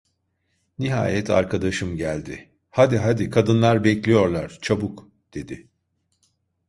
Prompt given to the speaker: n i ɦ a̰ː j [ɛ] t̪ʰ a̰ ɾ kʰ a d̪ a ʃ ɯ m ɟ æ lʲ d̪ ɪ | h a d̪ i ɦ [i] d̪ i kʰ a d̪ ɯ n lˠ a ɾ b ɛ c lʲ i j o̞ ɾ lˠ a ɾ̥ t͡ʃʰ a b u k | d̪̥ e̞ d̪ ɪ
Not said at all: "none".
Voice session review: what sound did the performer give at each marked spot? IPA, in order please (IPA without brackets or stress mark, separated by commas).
ɛ, a